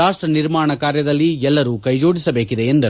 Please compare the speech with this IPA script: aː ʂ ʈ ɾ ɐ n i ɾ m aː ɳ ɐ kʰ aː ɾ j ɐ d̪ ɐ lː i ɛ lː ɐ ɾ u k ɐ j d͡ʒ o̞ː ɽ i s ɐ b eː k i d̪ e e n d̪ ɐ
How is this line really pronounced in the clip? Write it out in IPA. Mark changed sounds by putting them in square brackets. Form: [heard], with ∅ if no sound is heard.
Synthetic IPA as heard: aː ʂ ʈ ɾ ɐ n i ɾ m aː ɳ ɐ [k] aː ɾ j ɐ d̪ ɐ lː i ɛ lː ɐ ɾ u k ɐ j d͡ʒ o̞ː ɽ i s ɐ b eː k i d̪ e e n d̪ ɐ